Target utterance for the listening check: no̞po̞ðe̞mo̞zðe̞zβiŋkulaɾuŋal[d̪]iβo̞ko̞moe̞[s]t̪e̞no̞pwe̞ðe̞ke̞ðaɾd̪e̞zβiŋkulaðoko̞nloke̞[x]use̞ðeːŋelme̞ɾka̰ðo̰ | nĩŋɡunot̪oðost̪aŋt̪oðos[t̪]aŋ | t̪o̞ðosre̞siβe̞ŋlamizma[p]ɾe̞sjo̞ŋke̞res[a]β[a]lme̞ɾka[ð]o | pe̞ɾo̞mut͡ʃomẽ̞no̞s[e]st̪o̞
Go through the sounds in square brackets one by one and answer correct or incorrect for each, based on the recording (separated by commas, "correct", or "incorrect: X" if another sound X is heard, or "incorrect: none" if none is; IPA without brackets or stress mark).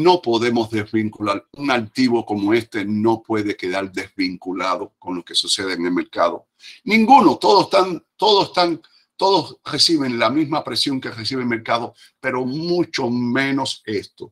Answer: incorrect: t̪, correct, incorrect: s, correct, correct, incorrect: i, incorrect: e, correct, correct